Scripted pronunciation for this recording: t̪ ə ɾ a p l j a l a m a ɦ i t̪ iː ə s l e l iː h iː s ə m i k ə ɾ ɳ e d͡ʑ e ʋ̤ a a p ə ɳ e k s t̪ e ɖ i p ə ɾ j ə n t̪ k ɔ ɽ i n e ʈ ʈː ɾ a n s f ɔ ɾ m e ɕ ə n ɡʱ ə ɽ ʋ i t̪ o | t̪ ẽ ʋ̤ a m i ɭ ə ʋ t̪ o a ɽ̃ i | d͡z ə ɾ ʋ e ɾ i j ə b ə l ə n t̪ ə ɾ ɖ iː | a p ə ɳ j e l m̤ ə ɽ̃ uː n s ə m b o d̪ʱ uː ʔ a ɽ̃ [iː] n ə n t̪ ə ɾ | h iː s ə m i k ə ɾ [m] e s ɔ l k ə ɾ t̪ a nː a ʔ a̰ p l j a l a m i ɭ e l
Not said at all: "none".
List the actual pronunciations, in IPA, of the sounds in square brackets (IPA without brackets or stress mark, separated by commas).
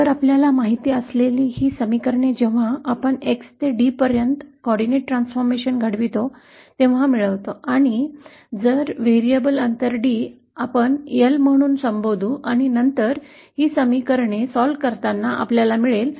i, ɳ